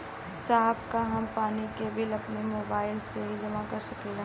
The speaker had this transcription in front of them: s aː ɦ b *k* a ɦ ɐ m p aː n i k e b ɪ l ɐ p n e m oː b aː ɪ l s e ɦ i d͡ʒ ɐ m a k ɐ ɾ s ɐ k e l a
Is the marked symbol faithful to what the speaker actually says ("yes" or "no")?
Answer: yes